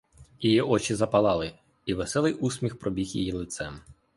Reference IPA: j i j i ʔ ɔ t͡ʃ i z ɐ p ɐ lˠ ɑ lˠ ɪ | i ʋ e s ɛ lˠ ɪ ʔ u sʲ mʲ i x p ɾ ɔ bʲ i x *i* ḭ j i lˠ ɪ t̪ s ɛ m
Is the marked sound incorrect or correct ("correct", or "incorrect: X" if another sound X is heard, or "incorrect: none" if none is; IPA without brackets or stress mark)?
incorrect: j